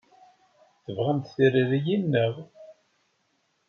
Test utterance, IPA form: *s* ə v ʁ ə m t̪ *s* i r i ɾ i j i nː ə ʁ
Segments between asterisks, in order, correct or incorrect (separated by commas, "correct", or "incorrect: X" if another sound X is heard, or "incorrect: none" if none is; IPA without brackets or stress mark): incorrect: θ, incorrect: θ